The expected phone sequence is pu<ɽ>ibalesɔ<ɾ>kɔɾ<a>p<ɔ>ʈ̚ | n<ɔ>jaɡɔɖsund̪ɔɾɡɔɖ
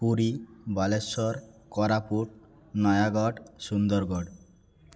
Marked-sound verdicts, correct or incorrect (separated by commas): incorrect, correct, correct, incorrect, correct